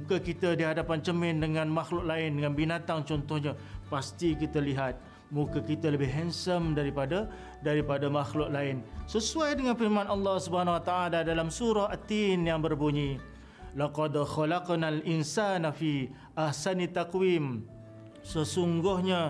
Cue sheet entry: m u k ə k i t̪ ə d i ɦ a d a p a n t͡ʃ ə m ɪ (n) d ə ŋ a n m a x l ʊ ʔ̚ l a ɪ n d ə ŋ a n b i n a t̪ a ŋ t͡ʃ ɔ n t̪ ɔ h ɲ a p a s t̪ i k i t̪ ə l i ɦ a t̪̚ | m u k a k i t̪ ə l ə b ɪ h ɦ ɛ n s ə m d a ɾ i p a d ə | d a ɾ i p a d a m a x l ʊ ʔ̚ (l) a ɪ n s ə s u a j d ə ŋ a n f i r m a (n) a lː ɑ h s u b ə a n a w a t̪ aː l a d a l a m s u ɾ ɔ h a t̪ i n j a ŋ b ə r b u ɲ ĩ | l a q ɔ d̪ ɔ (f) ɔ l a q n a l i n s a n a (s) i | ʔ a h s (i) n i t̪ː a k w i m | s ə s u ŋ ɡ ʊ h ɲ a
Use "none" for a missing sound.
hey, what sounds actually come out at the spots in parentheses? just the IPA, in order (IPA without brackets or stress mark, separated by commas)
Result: n, l, n, x, f, a